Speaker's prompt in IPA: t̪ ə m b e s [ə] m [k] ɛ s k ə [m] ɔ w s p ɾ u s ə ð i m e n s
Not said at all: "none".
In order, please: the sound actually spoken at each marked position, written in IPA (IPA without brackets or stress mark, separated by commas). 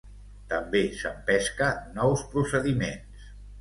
ə, p, n